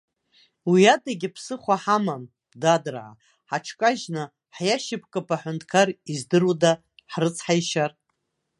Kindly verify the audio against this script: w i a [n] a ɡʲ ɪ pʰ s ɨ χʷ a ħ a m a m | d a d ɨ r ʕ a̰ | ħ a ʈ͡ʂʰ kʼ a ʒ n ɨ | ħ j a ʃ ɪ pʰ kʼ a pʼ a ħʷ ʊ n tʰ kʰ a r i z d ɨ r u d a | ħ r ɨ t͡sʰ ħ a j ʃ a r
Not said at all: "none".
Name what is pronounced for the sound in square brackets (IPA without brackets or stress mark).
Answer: d